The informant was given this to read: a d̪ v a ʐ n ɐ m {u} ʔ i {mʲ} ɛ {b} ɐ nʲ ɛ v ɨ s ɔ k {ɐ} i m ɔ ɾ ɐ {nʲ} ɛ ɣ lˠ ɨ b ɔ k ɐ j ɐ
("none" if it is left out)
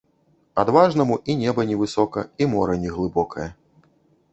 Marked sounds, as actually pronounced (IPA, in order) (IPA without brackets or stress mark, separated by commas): u, nʲ, b, ɐ, nʲ